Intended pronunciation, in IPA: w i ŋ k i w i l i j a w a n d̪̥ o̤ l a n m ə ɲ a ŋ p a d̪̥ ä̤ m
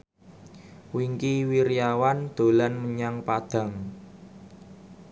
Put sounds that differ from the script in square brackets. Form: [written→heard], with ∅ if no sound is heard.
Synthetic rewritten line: w i ŋ k i w i [l→ɾ] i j a w a n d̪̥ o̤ l a n m ə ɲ a ŋ p a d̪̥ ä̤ [m→ŋ]

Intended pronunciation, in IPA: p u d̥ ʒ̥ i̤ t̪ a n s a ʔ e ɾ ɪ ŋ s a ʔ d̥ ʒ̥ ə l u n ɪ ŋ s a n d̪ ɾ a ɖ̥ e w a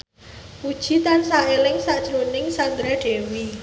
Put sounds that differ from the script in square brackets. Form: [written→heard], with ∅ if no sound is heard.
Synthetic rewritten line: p u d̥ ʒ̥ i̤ t̪ a n s a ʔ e [ɾ→l] ɪ ŋ s a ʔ d̥ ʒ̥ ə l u n ɪ ŋ s a n d̪ ɾ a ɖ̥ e w [a→i]

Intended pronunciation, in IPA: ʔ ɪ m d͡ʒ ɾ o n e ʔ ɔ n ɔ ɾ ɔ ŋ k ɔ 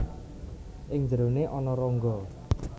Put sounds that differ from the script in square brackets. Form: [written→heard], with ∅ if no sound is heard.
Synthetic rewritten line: ʔ ɪ [m→ŋ] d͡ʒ ɾ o n e ʔ ɔ n ɔ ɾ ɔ ŋ [k→ɡ] ɔ

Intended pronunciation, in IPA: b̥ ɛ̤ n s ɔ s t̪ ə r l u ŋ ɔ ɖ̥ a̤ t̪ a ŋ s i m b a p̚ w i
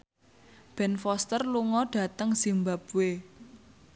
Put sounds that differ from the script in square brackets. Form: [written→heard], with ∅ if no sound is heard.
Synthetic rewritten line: b̥ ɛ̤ n [s→f] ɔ s t̪ ə r l u ŋ ɔ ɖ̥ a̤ t̪ [a→ə] ŋ s i m b a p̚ w [i→e]

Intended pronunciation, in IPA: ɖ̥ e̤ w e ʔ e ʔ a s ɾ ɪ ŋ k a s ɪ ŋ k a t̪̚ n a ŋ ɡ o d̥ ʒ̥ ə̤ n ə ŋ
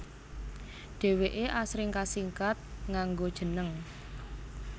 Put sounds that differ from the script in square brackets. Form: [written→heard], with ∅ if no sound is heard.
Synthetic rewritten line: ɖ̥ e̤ w e ʔ e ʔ a s ɾ ɪ ŋ k a s [ɪ→i] ŋ k a t̪̚ [n→ŋ] a ŋ ɡ o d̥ ʒ̥ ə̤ n ə ŋ

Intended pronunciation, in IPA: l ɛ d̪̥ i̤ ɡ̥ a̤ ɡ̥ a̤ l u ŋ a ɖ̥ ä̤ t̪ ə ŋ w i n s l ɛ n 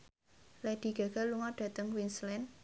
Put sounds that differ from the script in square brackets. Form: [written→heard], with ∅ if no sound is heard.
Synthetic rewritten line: l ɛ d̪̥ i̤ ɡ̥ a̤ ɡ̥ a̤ l u ŋ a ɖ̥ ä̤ t̪ ə ŋ w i n s l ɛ n

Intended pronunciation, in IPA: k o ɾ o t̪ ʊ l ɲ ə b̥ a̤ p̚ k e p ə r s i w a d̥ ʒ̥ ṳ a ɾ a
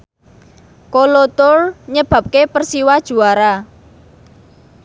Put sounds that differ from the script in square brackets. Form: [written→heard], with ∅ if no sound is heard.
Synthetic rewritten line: k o [ɾ→l] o t̪ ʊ [l→r] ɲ ə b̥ a̤ p̚ k e p ə r s i w a d̥ ʒ̥ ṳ a ɾ a

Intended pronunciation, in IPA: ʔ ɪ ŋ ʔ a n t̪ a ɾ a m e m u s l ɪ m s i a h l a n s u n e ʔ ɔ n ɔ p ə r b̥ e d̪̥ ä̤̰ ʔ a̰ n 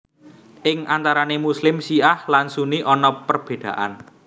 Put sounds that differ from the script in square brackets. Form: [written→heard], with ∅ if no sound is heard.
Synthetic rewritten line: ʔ ɪ ŋ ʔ a n t̪ a ɾ a [m→n] e m u s l ɪ m s i a h l a n s u n [e→i] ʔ ɔ n ɔ p ə r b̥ e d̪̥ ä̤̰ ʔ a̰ n

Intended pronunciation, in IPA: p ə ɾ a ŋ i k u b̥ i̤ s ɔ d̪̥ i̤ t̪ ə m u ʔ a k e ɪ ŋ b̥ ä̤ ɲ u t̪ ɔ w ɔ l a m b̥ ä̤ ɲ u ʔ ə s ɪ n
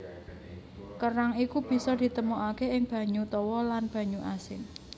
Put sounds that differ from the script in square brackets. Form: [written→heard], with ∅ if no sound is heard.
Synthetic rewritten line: [p→k] ə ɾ a ŋ i k u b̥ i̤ s ɔ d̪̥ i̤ t̪ ə m u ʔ a k e ɪ ŋ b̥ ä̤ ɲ u t̪ ɔ w ɔ l a [m→n] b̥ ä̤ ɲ u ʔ [ə→a] s ɪ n

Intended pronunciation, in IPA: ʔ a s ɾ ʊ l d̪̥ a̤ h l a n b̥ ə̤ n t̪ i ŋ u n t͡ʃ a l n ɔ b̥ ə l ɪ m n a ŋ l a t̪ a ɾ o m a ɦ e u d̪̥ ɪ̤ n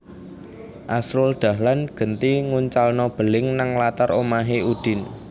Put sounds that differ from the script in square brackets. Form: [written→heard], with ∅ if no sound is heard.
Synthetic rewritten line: ʔ a s ɾ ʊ l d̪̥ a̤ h l a n [b̥→ɡ̥] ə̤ n t̪ i ŋ u [n→ɲ] t͡ʃ a l n ɔ b̥ ə l ɪ [m→ŋ] n a ŋ l a t̪ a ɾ o m a ɦ e u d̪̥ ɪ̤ n

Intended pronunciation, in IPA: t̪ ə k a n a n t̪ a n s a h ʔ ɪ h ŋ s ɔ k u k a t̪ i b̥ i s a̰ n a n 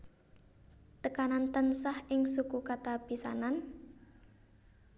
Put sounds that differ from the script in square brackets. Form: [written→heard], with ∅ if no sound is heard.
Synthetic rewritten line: t̪ ə k a n a n t̪ [a→ə] n s a h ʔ ɪ [h→∅] ŋ s [ɔ→u] k u k a t̪ [i→a] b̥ i s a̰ n a n

